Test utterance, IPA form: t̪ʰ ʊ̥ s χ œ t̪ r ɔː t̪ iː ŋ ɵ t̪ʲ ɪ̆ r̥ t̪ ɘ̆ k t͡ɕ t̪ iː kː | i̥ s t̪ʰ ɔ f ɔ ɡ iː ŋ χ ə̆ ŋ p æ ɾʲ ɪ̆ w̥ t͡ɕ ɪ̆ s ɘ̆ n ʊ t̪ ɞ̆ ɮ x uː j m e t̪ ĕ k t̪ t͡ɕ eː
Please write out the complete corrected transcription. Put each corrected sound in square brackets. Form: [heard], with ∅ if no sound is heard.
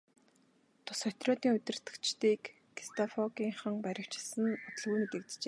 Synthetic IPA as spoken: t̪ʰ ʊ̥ s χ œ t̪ r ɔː t̪ iː ŋ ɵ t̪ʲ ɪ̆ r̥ t̪ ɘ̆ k t͡ɕ t̪ iː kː | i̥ s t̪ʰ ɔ f ɔ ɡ iː ŋ χ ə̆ ŋ p æ ɾʲ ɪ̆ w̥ t͡ɕ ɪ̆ s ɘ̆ n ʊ t̪ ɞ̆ ɮ [ɣ] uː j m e t̪ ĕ k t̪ t͡ɕ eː